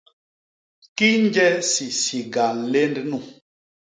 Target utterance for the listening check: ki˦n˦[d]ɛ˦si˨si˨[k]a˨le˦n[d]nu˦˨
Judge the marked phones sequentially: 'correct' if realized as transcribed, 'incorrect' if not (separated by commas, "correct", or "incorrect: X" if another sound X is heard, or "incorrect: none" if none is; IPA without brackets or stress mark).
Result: incorrect: d͡ʒ, incorrect: ɡ, correct